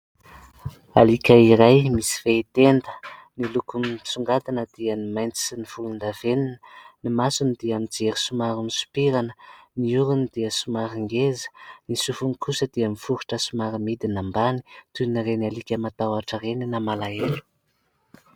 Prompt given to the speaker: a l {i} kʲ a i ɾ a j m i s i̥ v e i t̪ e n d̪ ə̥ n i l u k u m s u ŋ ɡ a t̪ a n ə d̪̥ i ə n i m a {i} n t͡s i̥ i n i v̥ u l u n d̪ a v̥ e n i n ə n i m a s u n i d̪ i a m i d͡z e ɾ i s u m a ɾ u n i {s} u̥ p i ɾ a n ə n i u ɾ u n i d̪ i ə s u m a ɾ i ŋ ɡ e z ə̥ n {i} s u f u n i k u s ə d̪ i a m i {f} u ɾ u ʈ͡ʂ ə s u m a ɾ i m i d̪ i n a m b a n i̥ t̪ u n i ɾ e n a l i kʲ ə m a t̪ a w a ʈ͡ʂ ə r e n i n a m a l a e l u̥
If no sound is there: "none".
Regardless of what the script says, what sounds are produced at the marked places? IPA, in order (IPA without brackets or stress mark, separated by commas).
i, j, s, i, f